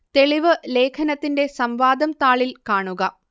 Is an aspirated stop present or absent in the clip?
present